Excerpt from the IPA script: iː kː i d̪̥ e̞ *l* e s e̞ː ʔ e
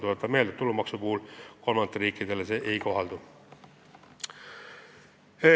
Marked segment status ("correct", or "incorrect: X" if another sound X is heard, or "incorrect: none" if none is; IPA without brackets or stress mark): correct